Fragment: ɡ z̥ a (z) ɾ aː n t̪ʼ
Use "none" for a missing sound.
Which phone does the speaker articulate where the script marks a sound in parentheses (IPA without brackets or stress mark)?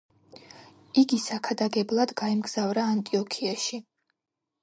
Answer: v